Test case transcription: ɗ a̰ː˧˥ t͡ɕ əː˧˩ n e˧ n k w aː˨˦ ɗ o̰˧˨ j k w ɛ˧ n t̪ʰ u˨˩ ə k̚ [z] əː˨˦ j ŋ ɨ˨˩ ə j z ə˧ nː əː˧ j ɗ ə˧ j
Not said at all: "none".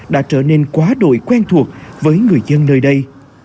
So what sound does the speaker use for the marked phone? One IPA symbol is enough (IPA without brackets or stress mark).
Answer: v